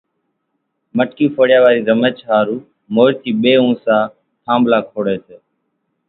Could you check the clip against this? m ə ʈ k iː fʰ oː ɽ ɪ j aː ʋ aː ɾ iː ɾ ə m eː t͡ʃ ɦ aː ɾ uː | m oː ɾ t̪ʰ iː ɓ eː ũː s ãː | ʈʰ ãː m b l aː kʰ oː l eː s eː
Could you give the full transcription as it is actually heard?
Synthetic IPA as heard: m ə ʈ k iː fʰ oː ɽ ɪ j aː ʋ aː ɾ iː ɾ ə m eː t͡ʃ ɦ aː ɾ uː | m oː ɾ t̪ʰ iː ɓ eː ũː s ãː | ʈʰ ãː m b l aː kʰ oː ɽ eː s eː